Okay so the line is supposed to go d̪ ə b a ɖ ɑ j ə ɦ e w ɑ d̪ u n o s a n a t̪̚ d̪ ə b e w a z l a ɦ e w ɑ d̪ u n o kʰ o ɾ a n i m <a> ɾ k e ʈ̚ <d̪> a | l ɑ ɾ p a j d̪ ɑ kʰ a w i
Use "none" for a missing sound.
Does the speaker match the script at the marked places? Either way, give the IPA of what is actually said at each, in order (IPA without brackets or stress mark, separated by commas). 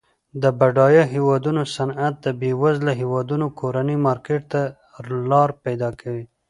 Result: ɑ, t̪